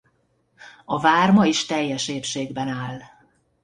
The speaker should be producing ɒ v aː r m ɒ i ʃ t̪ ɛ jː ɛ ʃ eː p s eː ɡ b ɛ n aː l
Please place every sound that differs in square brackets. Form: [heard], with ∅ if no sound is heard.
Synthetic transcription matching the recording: ɒ v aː r m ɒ i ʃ t̪ ɛ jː ɛ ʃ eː p [ʃ] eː ɡ b ɛ n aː l